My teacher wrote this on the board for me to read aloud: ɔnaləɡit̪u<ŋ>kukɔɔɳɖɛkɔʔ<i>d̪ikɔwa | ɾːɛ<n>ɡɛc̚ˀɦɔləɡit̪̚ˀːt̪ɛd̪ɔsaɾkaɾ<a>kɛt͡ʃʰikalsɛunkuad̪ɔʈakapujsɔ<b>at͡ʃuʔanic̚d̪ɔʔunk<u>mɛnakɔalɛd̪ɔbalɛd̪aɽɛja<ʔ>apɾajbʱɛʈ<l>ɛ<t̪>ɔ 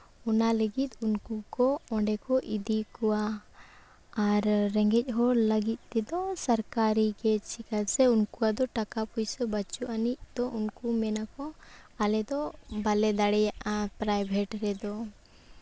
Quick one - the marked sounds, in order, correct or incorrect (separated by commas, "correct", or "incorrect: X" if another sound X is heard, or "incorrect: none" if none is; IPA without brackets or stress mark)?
incorrect: n, correct, incorrect: ŋ, incorrect: i, correct, correct, correct, incorrect: ɾ, incorrect: d̪